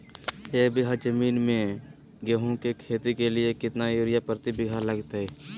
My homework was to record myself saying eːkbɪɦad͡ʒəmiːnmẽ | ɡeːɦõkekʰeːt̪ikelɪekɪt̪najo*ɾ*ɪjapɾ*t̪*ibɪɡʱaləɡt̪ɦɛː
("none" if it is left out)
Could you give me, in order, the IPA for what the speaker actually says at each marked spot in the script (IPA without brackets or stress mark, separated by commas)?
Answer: ɾ, t̪